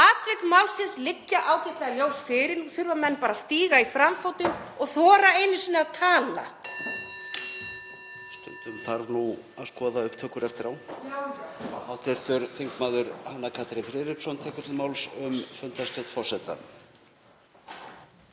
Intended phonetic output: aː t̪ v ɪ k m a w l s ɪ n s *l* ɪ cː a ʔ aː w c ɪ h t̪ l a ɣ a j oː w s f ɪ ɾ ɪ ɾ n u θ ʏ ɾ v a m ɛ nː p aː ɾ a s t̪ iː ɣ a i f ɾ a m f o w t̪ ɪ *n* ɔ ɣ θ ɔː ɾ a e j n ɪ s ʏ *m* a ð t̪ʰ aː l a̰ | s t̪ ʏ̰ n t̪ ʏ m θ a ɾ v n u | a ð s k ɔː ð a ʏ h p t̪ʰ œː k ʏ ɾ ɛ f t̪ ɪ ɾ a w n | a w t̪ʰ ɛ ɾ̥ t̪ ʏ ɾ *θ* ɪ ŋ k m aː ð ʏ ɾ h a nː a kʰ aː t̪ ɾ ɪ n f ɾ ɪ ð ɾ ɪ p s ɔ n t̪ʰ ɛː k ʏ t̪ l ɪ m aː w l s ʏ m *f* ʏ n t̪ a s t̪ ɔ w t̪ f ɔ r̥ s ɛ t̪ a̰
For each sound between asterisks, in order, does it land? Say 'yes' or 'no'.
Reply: yes, yes, no, yes, yes

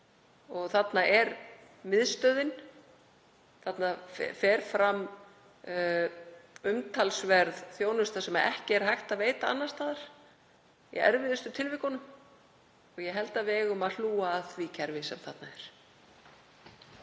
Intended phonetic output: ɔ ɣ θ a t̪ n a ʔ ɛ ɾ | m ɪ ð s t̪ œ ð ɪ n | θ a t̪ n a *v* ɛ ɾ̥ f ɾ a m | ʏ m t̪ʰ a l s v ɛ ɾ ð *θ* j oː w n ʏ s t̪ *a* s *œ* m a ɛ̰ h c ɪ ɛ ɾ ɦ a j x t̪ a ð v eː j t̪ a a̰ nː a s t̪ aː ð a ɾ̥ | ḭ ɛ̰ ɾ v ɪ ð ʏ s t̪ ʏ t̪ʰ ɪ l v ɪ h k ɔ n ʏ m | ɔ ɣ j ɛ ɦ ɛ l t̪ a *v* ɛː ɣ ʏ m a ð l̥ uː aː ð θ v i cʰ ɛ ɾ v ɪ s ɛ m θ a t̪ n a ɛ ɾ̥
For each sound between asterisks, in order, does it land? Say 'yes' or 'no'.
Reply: no, yes, yes, no, yes

